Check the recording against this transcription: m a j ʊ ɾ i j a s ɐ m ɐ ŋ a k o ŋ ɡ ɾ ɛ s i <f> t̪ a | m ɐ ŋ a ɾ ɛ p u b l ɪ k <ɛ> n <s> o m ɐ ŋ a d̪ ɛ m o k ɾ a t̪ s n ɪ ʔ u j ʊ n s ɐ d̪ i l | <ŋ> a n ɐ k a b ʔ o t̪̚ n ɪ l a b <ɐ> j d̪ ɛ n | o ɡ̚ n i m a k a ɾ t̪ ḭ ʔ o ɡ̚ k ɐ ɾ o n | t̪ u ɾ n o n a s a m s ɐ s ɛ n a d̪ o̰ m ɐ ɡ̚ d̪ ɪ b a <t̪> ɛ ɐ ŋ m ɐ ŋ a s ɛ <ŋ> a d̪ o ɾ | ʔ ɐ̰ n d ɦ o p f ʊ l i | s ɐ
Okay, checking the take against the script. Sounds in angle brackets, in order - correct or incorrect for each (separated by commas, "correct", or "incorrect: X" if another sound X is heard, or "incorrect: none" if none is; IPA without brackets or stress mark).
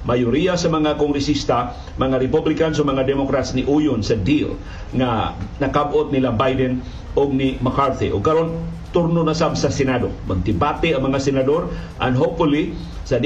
incorrect: s, incorrect: a, correct, correct, incorrect: a, correct, incorrect: n